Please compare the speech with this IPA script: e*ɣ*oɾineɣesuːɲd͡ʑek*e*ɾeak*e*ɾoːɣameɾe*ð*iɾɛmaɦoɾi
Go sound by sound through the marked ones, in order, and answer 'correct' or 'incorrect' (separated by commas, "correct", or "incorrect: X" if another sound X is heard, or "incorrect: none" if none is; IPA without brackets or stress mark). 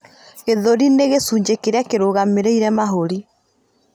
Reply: incorrect: ð, correct, correct, incorrect: none